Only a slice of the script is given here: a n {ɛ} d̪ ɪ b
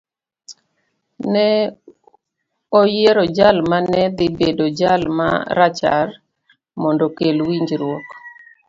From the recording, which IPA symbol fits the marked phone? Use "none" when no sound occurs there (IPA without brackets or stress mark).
ɛ